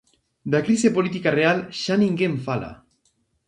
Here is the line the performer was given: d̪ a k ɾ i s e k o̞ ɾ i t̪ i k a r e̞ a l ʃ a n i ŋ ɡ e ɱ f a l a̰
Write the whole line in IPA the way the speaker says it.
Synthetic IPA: d̪ a k ɾ i s e p o̞ l i t̪ i k a r e̞ a l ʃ a n i ŋ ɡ e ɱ f a l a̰